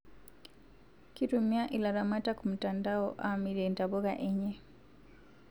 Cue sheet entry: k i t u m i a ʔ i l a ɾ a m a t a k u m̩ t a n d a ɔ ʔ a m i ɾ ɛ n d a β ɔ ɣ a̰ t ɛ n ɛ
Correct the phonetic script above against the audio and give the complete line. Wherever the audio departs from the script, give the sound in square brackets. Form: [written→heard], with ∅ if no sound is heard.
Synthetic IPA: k i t u m i a ʔ i l a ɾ a m a t a k u m̩ t a n d a ɔ ʔ a m i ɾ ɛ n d a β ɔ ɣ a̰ [t→ʔ] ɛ [n→ɲ] ɛ